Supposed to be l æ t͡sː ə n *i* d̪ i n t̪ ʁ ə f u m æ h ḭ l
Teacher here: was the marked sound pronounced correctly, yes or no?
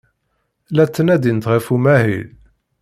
no